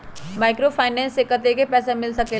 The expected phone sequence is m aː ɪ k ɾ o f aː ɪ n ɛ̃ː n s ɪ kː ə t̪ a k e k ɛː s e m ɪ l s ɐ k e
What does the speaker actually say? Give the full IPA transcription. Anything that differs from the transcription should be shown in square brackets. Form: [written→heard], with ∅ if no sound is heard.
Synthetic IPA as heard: m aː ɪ k ɾ o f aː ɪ n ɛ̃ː n s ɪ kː ə t̪ [a→e] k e [k→p] ɛː s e m ɪ l s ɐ k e

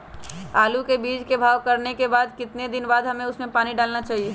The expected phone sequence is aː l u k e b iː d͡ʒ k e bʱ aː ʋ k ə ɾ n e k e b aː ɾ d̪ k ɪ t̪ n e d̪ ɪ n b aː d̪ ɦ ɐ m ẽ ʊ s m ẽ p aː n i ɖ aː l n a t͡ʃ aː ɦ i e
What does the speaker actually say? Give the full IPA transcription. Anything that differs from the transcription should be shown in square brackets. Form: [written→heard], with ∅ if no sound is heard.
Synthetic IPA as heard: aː l u k e b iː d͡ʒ k e bʱ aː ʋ k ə ɾ n e k e b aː [ɾ→∅] d̪ k ɪ t̪ n e d̪ ɪ n b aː d̪ ɦ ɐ m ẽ ʊ s m ẽ p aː n i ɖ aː l n a t͡ʃ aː ɦ i e

